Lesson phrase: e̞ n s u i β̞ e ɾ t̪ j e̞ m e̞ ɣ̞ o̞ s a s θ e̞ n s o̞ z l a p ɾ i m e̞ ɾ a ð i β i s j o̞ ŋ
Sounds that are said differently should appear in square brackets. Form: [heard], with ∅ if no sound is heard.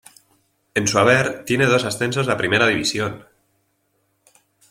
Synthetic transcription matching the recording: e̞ n s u [a] β̞ e ɾ t̪ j e̞ [n] e̞ [ð̞] o̞ s a s θ e̞ n s o̞ z l a p ɾ i m e̞ ɾ a ð i β i s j o̞ [n]